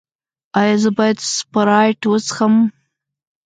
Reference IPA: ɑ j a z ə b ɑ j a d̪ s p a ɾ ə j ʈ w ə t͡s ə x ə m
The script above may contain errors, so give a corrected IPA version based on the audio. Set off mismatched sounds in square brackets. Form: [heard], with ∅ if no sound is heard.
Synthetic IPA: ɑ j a z ə b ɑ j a d̪ s p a ɾ [ɑ] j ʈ w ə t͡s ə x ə m